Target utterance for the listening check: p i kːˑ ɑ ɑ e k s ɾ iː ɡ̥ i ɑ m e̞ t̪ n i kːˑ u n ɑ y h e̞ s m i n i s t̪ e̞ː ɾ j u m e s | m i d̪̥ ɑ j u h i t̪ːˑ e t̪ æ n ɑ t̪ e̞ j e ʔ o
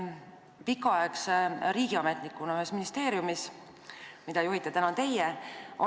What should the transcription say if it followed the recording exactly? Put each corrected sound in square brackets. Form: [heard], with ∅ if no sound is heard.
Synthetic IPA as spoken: p i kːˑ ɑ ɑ e k s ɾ iː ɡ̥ i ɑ m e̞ t̪ n i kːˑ u n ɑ y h e̞ s m i n i s t̪ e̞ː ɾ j u m [i] s | m i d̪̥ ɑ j u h i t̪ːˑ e t̪ æ n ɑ t̪ e̞ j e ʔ o